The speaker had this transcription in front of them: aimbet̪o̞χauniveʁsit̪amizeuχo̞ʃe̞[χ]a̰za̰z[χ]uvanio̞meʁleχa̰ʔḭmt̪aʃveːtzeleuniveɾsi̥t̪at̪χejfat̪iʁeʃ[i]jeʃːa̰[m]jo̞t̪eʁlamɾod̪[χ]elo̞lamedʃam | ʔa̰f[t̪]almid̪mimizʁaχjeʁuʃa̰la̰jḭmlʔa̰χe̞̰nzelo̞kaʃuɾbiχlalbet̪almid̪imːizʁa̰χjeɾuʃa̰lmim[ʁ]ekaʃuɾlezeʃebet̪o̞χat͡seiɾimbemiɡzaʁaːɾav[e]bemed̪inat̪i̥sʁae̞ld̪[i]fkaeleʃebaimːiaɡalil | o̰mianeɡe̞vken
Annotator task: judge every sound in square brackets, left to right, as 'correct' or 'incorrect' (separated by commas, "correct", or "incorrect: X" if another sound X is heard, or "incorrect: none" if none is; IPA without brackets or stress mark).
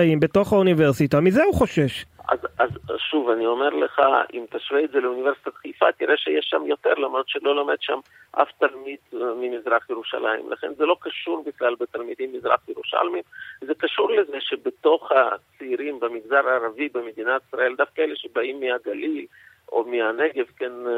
incorrect: ʃ, incorrect: ʃ, incorrect: e, correct, incorrect: ʃ, correct, incorrect: z, incorrect: i, incorrect: a